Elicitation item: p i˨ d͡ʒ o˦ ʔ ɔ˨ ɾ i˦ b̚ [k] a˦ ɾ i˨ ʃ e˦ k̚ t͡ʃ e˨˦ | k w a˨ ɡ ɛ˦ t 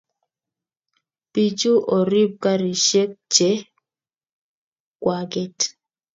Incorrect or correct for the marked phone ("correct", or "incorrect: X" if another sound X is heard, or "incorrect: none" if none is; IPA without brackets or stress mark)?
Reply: correct